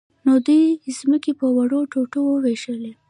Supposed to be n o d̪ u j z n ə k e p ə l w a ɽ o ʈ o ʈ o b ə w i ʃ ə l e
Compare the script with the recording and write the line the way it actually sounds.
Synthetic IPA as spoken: n o d̪ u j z m ə k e p ə w a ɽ o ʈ o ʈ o w ə w e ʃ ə l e